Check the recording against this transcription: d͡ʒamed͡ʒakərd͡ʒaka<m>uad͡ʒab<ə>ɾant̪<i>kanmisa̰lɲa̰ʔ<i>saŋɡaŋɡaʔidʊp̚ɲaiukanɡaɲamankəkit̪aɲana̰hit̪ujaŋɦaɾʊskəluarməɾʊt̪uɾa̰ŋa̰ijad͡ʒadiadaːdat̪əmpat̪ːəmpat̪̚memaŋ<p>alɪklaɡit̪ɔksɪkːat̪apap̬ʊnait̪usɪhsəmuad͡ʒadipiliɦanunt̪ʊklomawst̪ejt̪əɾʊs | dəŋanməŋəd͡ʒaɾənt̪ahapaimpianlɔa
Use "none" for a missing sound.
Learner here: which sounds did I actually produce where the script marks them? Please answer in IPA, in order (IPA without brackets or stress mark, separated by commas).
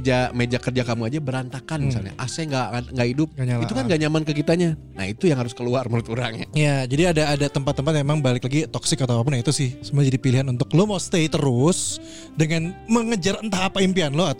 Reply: m, ə, a, a, b